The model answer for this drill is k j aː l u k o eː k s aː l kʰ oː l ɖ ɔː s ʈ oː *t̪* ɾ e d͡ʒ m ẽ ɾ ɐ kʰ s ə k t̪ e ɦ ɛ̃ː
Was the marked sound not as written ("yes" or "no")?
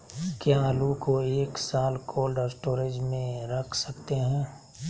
yes